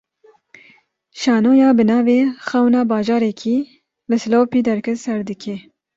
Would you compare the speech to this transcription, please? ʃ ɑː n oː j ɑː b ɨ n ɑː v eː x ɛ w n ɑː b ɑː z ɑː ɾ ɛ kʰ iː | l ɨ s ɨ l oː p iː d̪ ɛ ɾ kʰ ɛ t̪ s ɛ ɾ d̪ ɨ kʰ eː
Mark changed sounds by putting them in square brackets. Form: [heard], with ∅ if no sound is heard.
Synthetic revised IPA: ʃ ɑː n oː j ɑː b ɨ n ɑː v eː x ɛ w n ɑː b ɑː [ʒ] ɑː ɾ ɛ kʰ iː | l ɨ s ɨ l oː p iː d̪ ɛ ɾ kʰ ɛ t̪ s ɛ ɾ d̪ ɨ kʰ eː